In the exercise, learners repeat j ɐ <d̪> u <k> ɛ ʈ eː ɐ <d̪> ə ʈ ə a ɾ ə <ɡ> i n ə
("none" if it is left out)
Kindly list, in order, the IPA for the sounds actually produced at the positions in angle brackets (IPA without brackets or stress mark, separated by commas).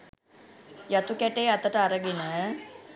t̪, k, t̪, ɡ